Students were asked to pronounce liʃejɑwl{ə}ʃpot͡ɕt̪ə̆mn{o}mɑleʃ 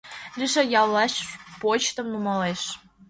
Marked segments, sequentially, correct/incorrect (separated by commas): incorrect, incorrect